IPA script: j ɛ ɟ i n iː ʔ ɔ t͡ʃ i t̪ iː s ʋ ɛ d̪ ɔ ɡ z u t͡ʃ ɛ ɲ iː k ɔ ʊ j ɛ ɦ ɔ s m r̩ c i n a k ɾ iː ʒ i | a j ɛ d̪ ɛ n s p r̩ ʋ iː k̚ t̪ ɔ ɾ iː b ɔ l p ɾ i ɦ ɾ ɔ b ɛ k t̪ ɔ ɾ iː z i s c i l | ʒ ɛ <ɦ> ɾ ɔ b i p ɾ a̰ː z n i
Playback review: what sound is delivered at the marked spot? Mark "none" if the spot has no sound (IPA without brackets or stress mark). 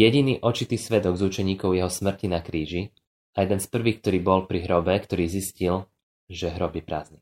ɦ